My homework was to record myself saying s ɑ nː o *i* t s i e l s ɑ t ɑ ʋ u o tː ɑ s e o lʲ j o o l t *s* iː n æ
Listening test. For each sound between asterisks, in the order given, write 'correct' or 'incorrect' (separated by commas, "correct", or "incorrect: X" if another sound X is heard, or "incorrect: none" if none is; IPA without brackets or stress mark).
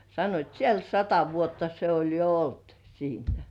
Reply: correct, correct